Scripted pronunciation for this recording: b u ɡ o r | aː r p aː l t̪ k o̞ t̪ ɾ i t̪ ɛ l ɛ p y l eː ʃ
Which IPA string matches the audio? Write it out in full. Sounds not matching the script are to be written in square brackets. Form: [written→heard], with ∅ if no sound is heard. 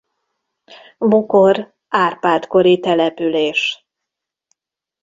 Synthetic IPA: b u [ɡ→k] o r | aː r p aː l t̪ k o̞ [t̪→∅] ɾ i t̪ ɛ l ɛ p y l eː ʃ